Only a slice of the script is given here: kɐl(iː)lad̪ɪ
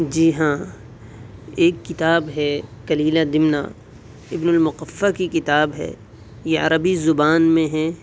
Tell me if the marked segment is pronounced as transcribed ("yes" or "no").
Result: yes